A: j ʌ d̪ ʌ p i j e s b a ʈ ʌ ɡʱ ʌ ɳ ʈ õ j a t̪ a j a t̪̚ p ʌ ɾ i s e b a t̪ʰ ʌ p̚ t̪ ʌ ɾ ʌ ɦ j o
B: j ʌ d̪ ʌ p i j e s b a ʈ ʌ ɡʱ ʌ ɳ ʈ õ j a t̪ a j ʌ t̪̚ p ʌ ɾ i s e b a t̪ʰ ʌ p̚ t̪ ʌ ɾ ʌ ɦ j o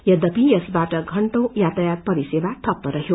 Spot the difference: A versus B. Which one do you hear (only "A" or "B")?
A